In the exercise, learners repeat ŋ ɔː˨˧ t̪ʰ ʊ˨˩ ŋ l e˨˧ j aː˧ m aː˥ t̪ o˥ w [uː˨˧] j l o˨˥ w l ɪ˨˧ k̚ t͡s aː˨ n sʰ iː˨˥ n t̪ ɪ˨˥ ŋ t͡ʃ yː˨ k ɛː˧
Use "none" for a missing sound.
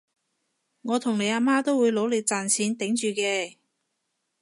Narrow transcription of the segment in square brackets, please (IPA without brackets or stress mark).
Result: uː˨˧